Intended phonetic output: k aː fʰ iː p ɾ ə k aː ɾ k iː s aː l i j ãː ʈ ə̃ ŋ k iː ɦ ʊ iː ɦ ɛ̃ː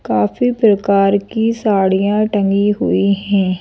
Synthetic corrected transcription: k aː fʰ iː p ɾ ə k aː ɾ k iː s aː ɽ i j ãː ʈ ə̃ ŋ ɡ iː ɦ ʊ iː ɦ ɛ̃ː